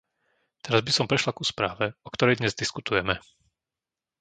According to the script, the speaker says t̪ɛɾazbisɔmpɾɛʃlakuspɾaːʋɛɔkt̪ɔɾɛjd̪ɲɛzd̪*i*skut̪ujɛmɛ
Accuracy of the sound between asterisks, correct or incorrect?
correct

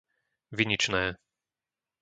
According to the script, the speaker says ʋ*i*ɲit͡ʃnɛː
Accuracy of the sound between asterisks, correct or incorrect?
correct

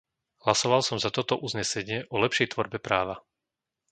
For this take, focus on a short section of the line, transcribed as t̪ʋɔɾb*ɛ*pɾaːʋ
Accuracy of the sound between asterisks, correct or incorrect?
correct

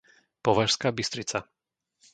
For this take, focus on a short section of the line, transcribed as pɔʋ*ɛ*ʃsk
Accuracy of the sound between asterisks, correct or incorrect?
incorrect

